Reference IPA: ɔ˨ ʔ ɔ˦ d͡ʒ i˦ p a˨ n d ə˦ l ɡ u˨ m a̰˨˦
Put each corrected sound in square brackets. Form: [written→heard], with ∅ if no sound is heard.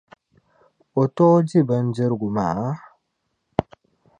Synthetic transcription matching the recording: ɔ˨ [ʔ→t] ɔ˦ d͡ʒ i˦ [p→b] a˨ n [d→d͡ʒ] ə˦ [l→ɾ] ɡ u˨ m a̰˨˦